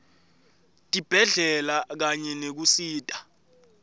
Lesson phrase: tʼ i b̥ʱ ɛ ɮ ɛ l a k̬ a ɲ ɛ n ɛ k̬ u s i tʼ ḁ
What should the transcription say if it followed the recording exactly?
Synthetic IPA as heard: tʼ i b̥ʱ ɛ ɮ ɛ l a k̬ a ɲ ɛ n e k̬ u s iː tʼ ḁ